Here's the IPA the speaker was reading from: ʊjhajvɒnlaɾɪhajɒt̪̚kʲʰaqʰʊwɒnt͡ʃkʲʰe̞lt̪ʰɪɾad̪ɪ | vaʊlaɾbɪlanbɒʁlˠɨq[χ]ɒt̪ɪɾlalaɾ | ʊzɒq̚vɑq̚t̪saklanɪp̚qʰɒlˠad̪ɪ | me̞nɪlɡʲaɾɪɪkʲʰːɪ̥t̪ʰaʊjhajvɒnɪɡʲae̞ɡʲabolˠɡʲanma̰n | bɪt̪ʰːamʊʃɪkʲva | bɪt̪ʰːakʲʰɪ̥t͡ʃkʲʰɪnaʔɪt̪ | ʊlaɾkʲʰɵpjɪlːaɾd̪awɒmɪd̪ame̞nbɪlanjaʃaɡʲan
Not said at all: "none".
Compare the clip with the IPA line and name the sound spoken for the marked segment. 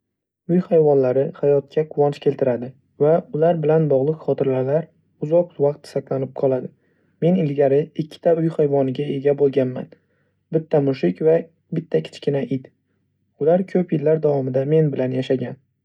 χ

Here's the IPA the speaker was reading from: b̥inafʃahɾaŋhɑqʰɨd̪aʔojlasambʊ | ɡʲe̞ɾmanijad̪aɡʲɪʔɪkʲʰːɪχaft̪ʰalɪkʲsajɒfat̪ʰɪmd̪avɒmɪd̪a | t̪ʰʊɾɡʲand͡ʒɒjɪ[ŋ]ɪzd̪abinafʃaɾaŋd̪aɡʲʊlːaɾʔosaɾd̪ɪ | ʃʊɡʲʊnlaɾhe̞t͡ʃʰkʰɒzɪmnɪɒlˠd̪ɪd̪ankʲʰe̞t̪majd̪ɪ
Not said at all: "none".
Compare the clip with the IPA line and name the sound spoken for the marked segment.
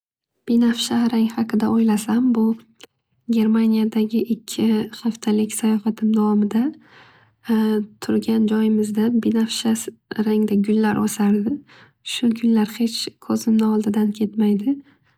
m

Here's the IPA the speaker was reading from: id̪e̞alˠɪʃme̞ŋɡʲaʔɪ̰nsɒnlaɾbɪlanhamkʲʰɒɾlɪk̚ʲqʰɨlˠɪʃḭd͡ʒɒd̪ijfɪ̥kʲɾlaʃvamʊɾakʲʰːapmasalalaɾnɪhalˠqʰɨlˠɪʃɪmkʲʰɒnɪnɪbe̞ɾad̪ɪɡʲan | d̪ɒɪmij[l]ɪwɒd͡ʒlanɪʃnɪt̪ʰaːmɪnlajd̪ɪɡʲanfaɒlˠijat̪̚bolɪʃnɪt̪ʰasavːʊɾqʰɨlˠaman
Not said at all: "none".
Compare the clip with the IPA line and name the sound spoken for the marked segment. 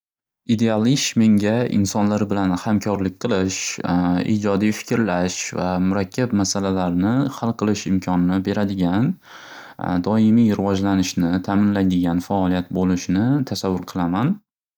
ɾ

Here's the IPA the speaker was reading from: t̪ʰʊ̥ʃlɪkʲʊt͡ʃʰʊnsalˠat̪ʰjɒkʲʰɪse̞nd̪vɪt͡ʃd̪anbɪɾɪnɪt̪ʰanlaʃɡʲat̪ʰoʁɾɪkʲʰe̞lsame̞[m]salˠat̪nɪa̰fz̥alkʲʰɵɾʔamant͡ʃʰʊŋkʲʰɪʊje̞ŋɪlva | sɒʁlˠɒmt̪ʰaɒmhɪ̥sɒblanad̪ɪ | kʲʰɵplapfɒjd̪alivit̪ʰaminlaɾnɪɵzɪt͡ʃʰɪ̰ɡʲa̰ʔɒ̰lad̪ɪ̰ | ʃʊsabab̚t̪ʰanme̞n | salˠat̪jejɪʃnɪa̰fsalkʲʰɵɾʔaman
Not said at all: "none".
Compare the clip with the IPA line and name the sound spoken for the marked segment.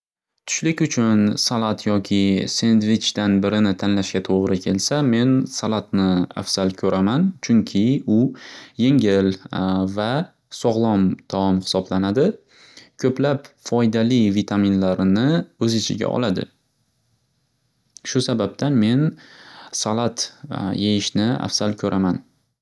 n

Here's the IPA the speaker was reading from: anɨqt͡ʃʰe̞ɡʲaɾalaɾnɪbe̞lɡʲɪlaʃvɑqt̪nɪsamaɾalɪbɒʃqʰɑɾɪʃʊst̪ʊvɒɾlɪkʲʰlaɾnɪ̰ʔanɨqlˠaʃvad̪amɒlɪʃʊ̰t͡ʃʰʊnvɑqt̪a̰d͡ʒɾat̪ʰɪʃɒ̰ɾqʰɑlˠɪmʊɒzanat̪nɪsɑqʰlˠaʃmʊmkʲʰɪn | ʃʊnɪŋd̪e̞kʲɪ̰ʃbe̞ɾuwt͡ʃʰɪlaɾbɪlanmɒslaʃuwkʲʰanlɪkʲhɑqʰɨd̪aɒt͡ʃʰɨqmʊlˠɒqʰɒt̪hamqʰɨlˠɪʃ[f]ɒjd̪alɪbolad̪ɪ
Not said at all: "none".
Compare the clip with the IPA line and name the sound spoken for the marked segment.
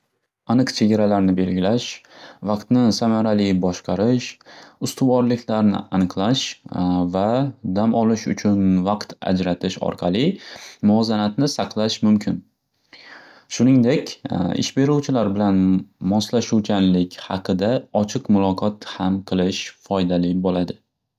f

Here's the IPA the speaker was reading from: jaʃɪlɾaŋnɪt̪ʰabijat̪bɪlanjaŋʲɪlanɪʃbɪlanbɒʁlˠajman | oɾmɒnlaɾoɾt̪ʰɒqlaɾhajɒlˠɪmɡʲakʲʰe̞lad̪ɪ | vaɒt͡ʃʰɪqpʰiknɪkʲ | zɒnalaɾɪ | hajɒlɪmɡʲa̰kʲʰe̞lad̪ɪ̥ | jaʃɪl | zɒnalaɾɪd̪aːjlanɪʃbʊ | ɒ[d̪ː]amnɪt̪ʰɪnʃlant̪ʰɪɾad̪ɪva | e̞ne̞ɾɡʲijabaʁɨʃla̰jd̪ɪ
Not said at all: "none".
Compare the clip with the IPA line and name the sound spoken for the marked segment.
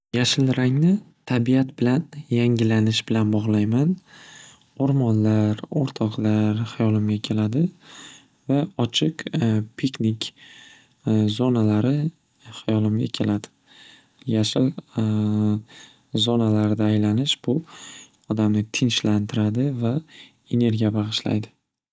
d̪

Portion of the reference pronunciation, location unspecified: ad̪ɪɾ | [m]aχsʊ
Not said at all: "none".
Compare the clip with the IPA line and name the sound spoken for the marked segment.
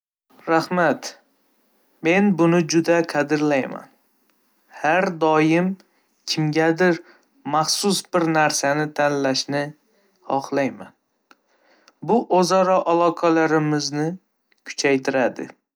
m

